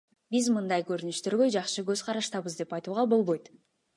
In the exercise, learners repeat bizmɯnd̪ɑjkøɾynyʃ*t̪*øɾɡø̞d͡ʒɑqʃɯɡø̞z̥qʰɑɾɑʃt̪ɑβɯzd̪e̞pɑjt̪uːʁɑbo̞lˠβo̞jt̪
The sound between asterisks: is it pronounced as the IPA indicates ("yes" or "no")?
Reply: yes